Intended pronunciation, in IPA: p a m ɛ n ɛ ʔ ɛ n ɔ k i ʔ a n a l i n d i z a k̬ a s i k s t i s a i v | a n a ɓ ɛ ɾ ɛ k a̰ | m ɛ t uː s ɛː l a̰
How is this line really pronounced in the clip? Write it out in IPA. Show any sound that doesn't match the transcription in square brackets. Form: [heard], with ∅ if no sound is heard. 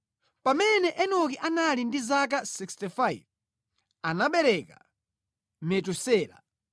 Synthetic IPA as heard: p a m ɛ n ɛ ʔ ɛ n ɔ k i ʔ a n a l i n d i z a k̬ a s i k s t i [f] a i v | a n a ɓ ɛ ɾ ɛ k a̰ | m ɛ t [u] s ɛː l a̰